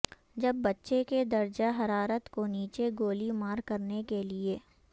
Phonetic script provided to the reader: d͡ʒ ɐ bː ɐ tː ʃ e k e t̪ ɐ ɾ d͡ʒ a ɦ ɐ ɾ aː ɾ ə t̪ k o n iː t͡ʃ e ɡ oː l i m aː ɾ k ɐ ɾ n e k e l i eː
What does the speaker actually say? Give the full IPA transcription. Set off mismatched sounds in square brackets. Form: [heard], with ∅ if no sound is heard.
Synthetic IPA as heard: d͡ʒ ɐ bː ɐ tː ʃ e k e [d̪] ɐ ɾ d͡ʒ a ɦ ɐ ɾ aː ɾ ə t̪ k o n iː t͡ʃ e ɡ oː l i m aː ɾ k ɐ ɾ n e k e l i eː